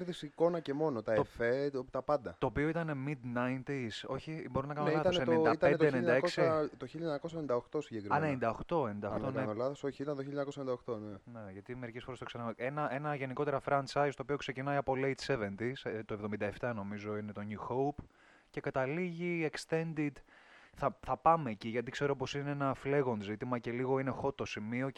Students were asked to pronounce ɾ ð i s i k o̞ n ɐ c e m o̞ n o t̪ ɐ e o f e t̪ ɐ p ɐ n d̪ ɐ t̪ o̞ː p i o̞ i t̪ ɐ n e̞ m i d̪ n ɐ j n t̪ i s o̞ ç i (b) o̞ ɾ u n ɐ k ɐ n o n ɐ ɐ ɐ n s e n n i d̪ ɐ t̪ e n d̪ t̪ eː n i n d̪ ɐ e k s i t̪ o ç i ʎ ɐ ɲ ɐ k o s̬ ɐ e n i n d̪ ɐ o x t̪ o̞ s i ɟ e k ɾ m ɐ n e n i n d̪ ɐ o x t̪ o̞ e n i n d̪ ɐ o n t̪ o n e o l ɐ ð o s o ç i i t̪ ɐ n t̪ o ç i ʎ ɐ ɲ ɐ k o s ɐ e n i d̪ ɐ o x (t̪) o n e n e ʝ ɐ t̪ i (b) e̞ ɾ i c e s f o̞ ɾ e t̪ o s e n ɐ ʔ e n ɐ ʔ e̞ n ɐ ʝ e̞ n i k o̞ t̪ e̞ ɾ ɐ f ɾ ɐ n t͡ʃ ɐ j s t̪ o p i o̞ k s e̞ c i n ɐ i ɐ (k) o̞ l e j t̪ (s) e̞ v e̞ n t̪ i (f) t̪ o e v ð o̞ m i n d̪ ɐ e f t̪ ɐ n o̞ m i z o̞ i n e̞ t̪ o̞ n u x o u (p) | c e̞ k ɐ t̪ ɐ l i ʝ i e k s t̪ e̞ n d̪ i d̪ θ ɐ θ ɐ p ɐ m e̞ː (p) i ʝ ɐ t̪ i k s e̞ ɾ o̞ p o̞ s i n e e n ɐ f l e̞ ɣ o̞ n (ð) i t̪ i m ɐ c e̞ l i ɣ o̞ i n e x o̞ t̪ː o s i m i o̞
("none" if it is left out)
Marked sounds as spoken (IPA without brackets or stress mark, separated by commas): b, t̪, m, p, s, s, p, c, z